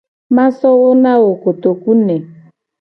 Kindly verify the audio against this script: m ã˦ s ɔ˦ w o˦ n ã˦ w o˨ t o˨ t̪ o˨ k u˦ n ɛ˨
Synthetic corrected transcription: m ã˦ s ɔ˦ w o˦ n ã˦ w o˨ k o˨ t̪ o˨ k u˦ n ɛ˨